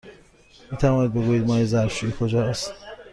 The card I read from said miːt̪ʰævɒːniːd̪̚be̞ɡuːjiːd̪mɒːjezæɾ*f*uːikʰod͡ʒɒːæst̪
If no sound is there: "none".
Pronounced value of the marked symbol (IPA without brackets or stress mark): ʃ